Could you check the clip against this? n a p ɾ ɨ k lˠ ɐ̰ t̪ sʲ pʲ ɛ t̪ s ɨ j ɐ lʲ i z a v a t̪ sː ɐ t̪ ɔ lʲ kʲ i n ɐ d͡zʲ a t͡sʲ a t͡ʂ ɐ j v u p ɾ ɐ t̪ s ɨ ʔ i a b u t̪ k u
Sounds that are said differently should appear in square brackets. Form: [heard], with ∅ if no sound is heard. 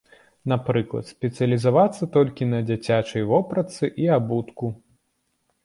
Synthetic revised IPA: n a p ɾ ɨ k lˠ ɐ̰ t̪ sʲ pʲ ɛ t̪ s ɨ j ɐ lʲ i z a v a t̪ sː ɐ t̪ ɔ lʲ kʲ i n ɐ d͡zʲ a t͡sʲ a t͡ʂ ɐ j v [ɔ] p ɾ ɐ t̪ s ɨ ʔ i a b u t̪ k u